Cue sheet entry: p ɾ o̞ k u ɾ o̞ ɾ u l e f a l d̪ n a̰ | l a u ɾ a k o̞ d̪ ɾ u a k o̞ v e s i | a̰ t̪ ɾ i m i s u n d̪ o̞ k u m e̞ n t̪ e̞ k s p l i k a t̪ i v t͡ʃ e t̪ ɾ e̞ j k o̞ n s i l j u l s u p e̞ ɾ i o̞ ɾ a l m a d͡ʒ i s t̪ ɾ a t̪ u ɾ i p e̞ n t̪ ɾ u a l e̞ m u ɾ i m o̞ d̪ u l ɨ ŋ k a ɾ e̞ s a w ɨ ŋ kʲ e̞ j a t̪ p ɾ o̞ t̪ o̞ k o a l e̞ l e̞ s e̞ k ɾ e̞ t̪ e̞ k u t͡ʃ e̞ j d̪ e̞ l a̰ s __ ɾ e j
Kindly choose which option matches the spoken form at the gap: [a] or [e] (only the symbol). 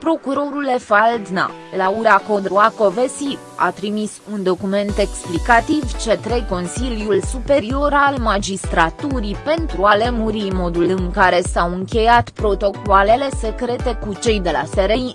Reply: e